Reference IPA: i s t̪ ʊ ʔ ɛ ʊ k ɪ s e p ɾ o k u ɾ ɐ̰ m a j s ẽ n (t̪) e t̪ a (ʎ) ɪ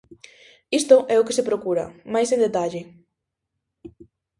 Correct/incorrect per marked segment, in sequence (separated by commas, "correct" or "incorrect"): incorrect, correct